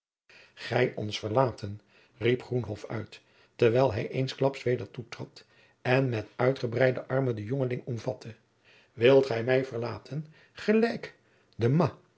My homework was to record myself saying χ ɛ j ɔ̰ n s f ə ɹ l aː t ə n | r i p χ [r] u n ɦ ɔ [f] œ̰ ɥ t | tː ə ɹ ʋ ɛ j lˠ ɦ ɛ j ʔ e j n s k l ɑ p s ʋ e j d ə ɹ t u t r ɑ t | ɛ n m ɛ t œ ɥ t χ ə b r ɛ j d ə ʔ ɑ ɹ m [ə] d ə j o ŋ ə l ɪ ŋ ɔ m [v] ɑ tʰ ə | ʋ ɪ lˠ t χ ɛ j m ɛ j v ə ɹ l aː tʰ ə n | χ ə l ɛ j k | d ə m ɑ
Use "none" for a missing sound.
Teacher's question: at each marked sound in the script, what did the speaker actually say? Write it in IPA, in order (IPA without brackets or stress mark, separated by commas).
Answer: r, f, ə, v